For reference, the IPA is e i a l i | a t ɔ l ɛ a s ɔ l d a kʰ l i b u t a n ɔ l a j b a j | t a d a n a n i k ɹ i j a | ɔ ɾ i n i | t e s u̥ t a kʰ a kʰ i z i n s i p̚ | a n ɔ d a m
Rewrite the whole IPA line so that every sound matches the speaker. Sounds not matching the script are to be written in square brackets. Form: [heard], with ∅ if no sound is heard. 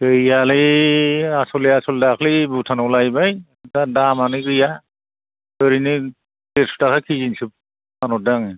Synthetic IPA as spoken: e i a l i | a [s] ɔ l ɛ a s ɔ l d a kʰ l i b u [tʰ] a n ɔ l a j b a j | t a d a [m] a n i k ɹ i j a | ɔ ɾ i n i | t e s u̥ t a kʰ a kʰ i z i n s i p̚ | a n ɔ d a [ŋ]